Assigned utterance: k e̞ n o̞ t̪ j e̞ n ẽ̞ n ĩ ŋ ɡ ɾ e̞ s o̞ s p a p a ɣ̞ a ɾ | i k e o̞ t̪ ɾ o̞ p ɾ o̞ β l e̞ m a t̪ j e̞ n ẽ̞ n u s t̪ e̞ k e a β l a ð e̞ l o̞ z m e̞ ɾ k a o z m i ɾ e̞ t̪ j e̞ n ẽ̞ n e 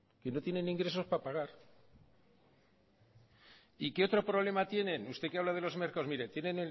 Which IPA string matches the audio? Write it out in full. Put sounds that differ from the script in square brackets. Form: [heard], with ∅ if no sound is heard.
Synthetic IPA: k e̞ n o̞ t̪ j e̞ n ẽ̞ n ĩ ŋ ɡ ɾ e̞ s o̞ s p a p a ɣ̞ a ɾ | i k e o̞ t̪ ɾ o̞ p ɾ o̞ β l e̞ m a t̪ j e̞ n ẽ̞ n u s t̪ e̞ k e a β l a ð e̞ l o̞ z m e̞ ɾ k a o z m i ɾ e̞ t̪ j e̞ n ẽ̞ n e